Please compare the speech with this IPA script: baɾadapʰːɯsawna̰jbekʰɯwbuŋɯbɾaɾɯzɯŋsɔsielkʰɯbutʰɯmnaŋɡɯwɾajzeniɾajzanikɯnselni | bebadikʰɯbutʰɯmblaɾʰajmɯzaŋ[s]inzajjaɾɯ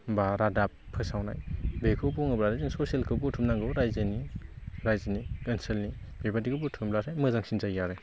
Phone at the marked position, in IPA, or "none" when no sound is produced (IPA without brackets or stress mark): s